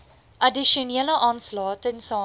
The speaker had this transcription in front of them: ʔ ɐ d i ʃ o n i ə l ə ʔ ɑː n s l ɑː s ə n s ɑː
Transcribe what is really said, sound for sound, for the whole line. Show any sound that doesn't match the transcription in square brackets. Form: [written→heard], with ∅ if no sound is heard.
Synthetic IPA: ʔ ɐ d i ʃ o n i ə l ə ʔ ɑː n s l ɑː [s→t] ə n s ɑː